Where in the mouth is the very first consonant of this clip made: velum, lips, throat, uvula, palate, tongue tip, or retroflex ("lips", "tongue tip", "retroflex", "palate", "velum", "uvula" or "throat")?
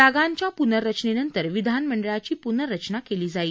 velum